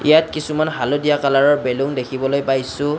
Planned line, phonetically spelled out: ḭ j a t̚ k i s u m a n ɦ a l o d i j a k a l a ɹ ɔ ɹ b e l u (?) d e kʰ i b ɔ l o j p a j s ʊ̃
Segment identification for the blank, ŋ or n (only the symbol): ŋ